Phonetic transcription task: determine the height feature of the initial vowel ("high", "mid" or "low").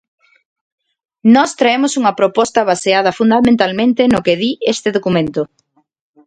mid